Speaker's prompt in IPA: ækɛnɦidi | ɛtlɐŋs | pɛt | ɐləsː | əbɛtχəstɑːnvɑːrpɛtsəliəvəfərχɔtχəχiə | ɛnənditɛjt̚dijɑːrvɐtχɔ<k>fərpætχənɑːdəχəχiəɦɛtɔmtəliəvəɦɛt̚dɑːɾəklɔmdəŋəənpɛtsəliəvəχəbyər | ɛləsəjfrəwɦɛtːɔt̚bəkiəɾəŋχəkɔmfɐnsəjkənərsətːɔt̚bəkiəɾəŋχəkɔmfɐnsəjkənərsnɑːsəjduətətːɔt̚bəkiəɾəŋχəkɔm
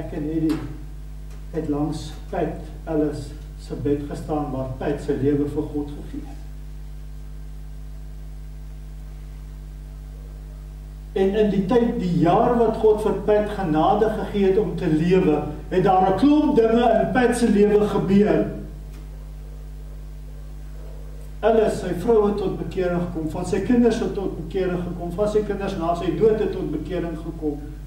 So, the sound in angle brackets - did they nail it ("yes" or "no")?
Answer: no